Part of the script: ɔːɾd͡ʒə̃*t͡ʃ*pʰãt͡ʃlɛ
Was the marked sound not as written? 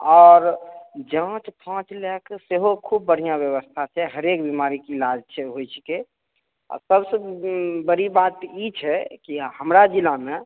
no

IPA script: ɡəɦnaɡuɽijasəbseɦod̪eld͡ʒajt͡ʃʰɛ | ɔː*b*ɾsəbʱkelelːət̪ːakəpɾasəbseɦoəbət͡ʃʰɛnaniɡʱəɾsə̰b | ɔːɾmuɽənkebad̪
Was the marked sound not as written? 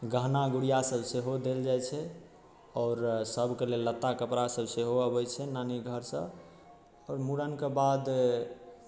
yes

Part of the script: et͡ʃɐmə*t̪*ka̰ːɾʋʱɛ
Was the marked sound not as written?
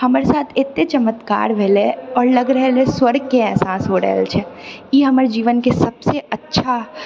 no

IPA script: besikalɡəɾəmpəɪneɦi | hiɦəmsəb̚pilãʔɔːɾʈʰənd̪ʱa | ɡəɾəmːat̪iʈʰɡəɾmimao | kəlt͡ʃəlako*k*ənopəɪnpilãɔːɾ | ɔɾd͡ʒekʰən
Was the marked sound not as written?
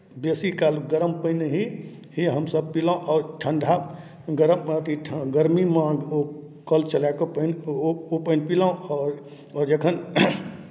yes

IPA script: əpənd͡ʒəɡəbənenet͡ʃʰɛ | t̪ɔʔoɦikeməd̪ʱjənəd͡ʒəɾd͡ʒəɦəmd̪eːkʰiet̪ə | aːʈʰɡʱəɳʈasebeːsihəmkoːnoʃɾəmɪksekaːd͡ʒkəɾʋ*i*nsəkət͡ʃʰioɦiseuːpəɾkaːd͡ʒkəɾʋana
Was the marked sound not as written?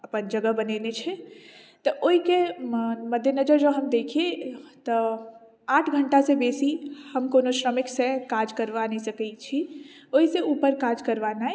yes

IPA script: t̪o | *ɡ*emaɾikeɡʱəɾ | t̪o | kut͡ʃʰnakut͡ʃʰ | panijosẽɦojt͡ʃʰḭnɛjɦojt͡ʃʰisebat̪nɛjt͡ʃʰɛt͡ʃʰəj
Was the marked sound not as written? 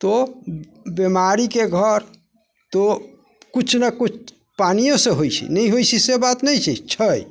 yes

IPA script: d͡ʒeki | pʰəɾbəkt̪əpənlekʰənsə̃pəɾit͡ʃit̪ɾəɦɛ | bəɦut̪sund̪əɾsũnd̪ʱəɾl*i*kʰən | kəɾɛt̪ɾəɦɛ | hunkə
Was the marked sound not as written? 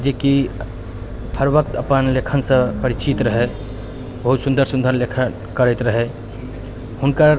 yes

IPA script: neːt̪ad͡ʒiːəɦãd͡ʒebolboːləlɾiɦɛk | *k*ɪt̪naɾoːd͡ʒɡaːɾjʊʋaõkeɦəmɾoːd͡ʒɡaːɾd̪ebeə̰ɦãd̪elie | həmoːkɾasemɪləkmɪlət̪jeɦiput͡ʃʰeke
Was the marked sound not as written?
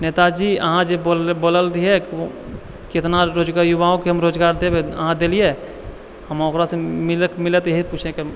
no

